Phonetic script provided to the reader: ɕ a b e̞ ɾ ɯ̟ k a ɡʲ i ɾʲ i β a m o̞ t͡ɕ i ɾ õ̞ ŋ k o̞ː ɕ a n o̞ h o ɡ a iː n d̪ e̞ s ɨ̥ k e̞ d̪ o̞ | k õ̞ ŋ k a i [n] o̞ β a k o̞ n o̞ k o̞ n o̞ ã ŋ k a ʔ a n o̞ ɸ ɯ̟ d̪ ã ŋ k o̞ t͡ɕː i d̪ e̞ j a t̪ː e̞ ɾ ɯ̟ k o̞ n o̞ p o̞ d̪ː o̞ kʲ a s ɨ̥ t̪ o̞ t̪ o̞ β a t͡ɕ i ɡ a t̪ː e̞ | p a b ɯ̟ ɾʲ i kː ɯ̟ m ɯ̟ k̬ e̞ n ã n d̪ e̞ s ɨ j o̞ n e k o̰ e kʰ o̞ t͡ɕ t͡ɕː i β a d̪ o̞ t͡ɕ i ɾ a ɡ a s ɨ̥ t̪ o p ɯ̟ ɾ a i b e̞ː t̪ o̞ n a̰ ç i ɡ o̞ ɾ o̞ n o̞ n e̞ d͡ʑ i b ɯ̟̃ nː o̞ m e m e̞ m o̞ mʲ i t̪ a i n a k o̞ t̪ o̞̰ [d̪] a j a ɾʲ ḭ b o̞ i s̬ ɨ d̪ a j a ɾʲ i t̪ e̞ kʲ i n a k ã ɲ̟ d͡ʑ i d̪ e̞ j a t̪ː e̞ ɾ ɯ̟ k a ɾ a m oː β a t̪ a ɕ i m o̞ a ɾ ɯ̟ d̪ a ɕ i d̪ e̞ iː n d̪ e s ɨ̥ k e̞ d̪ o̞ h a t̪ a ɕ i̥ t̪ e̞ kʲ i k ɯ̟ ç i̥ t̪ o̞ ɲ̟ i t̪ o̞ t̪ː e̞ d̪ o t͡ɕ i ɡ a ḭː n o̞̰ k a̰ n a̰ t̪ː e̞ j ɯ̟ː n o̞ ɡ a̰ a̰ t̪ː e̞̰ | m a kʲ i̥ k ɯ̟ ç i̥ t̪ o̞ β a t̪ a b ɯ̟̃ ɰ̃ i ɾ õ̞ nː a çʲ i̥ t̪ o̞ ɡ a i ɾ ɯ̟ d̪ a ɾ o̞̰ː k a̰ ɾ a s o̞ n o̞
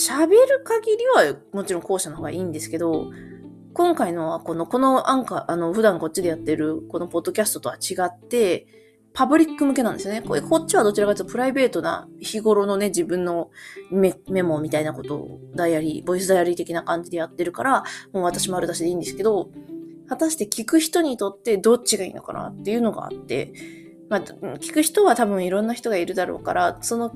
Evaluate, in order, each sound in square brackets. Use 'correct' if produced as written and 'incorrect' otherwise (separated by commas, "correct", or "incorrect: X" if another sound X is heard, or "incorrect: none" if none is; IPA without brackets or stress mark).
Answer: correct, correct